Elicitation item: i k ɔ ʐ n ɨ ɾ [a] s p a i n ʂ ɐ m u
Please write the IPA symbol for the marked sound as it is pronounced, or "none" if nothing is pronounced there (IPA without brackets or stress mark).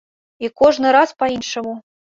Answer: a